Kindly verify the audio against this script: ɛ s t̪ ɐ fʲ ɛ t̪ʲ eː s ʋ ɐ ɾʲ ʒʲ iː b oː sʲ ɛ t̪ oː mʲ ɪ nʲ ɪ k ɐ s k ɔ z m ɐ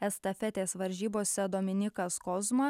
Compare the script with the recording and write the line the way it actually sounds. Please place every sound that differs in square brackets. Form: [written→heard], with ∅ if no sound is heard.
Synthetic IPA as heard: ɛ s t̪ ɐ fʲ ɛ t̪ʲ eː s ʋ ɐ ɾʲ ʒʲ iː b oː sʲ ɛ [t̪→d̪] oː mʲ ɪ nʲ ɪ k ɐ s k ɔ z m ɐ